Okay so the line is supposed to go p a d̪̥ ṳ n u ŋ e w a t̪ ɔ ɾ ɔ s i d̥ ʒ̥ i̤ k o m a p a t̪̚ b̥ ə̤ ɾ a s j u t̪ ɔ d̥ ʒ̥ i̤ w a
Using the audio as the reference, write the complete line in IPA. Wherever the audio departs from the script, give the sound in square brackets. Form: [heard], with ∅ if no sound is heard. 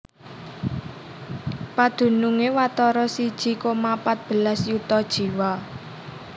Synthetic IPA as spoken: p a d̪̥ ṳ n u ŋ e w a t̪ ɔ ɾ ɔ s i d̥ ʒ̥ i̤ k o m a p a t̪̚ b̥ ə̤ [l] a s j u t̪ ɔ d̥ ʒ̥ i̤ w a